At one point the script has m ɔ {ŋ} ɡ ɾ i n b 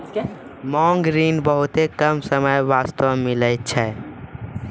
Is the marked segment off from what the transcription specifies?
no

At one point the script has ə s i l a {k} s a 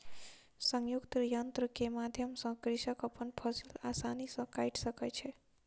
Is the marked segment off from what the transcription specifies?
yes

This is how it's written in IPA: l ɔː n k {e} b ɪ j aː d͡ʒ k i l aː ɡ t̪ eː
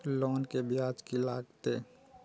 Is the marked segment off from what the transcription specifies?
no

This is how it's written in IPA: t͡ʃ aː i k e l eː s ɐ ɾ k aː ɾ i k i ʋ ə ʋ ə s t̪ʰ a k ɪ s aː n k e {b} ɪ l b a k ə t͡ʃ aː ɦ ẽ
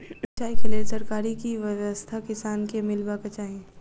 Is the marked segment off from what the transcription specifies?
yes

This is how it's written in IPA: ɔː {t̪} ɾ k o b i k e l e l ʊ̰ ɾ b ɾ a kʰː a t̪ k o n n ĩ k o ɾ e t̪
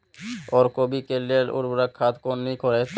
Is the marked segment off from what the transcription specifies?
yes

